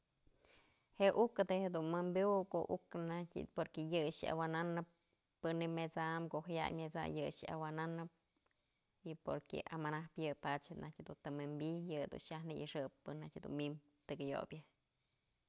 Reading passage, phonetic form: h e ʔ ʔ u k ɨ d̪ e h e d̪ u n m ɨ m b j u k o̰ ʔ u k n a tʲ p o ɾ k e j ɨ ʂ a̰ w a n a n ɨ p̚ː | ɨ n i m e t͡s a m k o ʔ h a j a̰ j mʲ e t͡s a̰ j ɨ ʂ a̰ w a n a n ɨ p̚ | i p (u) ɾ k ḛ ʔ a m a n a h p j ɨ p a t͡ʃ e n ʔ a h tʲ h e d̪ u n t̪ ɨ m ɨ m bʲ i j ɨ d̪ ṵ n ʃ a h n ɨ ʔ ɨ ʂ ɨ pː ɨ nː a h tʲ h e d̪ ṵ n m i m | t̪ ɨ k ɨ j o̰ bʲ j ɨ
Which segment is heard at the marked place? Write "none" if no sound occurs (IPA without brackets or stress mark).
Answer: o